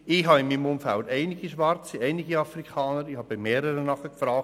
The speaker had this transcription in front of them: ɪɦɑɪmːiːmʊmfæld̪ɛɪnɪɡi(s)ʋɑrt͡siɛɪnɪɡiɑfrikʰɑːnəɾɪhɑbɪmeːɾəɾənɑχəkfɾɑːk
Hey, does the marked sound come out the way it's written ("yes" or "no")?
no